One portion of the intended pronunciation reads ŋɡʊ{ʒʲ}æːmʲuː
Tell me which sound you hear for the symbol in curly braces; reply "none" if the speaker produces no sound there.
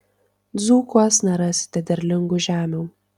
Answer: ʒʲ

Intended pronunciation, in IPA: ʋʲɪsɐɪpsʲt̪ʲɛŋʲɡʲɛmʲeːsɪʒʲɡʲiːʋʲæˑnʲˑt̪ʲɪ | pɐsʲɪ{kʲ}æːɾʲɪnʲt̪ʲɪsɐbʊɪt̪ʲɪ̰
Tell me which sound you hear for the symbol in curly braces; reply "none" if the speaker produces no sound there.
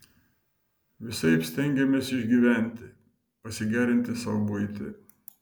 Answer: ɡʲ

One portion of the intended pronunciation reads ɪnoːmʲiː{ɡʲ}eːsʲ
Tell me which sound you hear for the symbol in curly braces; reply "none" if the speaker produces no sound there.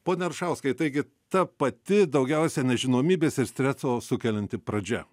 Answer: bʲ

